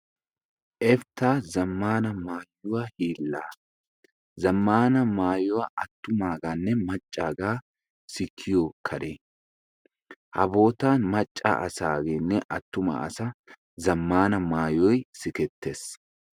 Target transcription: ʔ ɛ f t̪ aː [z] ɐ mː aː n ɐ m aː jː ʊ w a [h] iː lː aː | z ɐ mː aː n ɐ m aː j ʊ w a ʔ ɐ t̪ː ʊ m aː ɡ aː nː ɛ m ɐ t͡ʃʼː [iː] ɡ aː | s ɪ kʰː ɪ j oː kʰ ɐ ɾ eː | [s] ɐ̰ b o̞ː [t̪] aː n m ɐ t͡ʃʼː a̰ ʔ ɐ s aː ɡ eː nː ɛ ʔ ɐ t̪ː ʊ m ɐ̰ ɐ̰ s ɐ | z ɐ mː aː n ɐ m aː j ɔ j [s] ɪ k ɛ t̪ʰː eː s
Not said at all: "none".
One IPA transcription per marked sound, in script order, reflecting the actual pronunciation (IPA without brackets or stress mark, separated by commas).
z, h, aː, h, t̪, s